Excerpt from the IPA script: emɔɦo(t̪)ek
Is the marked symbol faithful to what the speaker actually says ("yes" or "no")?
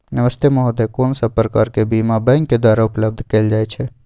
no